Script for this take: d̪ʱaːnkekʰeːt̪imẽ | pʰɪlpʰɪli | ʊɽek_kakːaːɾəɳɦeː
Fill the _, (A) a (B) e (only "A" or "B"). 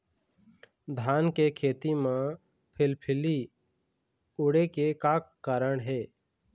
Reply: B